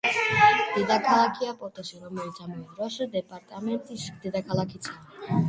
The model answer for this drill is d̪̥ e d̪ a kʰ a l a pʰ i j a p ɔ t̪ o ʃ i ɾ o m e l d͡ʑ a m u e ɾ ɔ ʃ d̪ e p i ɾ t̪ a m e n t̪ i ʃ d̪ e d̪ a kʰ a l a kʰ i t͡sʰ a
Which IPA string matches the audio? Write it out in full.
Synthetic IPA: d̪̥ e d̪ a kʰ a l a kʰ i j a p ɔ t̪ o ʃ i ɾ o m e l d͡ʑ a m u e ɾ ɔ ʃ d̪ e p a ɾ t̪ a m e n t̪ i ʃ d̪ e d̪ a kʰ a l a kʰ i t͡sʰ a